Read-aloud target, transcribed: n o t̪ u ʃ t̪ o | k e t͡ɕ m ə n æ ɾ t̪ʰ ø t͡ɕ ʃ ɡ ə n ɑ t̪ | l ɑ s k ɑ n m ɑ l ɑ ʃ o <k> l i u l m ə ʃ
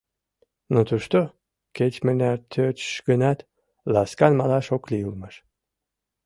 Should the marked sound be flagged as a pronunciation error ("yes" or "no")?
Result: no